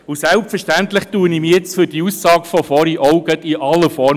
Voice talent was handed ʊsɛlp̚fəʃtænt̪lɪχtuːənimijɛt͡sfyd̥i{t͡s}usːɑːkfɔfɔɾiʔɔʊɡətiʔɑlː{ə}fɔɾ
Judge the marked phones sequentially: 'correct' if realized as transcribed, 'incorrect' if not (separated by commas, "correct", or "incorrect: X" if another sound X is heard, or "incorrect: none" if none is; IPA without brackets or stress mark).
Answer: incorrect: none, correct